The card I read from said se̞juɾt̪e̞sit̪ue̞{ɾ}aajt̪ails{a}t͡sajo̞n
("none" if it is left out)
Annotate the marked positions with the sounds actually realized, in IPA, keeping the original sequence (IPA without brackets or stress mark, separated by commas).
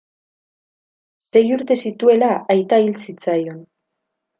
l, i